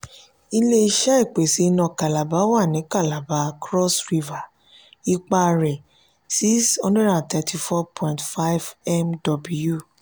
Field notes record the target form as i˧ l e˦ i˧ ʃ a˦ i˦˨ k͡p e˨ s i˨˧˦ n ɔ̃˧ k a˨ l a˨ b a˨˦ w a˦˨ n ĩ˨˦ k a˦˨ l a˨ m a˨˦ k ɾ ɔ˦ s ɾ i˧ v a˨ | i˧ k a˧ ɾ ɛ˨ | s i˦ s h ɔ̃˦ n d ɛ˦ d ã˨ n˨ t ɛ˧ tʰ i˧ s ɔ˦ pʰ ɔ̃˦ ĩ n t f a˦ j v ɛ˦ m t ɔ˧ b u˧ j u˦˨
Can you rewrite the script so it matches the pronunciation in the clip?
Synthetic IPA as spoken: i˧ l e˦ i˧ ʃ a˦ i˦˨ k͡p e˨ s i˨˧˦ n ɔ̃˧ k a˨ l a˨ b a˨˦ w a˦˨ n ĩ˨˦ k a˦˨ l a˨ b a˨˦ k ɾ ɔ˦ s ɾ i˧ v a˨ | i˧ k͡p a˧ ɾ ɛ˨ | s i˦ s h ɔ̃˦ n d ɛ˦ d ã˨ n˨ t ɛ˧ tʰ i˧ f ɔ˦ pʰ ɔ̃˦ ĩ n t f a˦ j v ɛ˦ m d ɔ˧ b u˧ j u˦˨